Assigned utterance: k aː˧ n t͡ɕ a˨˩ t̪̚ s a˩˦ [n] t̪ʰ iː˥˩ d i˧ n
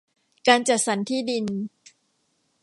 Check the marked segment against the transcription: correct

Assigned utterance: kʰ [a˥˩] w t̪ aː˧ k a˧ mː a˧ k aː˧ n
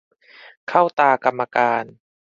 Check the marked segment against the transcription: correct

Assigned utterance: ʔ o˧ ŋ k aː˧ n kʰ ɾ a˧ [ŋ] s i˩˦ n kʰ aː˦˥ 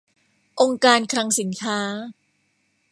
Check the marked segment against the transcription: correct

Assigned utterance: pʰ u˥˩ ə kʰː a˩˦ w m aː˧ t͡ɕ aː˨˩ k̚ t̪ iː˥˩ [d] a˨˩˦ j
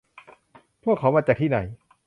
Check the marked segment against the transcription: incorrect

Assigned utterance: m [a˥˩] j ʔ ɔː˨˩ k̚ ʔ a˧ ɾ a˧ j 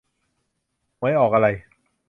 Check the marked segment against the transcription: incorrect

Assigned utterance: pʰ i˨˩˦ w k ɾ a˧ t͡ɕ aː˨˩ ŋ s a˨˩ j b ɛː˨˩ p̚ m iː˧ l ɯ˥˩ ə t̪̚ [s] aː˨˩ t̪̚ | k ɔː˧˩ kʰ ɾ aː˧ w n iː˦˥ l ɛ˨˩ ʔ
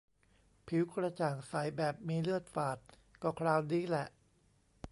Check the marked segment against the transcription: incorrect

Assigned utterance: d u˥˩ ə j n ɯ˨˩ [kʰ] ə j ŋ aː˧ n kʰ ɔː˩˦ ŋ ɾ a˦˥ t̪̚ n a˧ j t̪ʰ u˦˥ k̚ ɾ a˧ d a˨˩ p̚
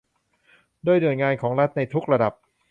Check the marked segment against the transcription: incorrect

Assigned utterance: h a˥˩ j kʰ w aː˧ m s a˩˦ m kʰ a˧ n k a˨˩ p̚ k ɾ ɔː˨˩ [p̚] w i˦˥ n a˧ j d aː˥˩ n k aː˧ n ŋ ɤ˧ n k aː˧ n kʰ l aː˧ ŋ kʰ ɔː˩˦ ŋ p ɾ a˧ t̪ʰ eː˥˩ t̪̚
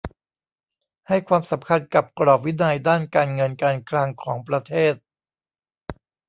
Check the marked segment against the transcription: correct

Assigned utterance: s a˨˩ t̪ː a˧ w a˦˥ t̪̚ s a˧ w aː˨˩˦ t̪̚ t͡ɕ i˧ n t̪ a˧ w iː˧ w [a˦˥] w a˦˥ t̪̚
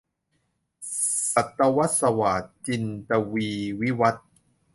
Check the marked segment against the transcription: incorrect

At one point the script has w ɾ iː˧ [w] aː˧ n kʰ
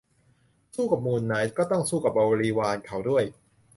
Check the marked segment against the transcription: correct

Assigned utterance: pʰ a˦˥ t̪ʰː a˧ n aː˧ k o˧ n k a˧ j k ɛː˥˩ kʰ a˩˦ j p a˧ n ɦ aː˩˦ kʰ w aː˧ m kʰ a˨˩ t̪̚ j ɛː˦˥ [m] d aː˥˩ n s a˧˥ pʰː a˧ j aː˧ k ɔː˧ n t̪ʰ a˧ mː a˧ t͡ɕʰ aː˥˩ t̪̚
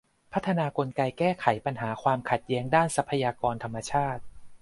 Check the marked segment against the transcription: incorrect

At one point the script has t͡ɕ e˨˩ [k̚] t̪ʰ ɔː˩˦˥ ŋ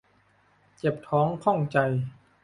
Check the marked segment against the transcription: incorrect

